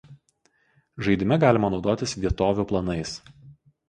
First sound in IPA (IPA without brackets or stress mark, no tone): ʒ